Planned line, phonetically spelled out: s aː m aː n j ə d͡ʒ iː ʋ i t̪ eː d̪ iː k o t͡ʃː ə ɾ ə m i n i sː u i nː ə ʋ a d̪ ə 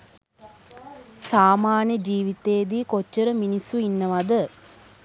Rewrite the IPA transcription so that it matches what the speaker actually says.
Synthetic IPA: s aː m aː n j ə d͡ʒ iː ʋ i t̪ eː d̪ iː k o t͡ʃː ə ɾ ə m i n i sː u i nː ə ʋ a d̪ ə